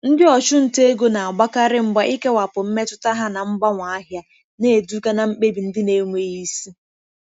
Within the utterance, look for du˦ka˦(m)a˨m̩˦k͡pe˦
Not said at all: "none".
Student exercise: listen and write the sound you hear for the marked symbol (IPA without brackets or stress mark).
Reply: n